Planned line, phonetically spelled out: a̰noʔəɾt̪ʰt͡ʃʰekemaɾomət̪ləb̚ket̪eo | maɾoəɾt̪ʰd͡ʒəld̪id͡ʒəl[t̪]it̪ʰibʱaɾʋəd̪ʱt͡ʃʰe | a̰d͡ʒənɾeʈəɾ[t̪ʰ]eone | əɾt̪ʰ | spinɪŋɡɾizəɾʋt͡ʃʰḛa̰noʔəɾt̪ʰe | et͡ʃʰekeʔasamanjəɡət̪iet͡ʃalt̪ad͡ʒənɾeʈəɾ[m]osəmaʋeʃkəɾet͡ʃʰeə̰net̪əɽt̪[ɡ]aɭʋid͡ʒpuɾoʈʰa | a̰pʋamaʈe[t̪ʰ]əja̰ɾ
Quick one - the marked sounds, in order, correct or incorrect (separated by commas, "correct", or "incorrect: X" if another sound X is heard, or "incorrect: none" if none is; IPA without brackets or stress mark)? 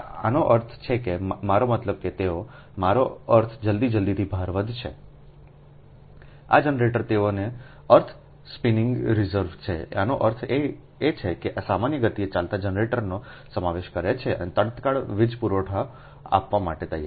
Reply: incorrect: d̪, incorrect: t̪, incorrect: n, incorrect: k, incorrect: t̪